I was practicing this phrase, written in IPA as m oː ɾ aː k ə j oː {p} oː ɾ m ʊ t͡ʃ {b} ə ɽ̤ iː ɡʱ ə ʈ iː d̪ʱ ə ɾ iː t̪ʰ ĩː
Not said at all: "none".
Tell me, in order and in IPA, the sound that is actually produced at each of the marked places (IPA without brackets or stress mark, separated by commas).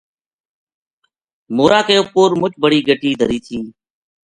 p, b